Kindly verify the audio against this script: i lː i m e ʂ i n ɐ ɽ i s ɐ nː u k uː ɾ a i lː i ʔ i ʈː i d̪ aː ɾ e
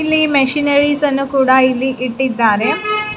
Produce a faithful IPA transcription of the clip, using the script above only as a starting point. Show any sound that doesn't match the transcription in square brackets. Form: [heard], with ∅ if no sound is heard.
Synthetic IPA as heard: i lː i m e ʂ i n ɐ [ɾ] i s ɐ nː u k uː [ɽ] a i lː i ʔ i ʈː i [d̪ː] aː ɾ e